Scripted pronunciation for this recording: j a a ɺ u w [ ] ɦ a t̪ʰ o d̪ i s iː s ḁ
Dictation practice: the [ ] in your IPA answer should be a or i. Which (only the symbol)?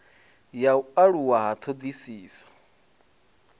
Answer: a